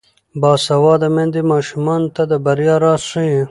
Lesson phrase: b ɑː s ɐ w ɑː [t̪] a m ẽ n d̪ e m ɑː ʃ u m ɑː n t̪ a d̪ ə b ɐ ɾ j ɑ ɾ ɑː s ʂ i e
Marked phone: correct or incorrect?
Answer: incorrect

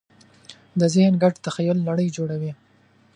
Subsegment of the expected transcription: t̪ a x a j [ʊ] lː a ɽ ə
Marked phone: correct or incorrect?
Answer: correct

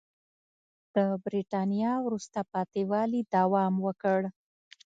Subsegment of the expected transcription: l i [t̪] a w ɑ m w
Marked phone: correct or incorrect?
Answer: incorrect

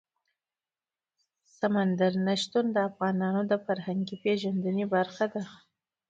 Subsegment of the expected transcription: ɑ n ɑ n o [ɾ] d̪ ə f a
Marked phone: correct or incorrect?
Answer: incorrect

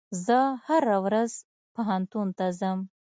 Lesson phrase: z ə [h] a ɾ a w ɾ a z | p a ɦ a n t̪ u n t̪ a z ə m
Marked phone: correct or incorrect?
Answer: correct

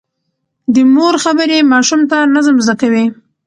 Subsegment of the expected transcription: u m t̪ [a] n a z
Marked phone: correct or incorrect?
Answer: correct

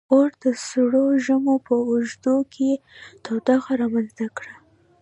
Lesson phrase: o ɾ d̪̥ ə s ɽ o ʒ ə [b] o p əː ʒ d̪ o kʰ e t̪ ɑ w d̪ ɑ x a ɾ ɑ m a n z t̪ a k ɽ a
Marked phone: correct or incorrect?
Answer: incorrect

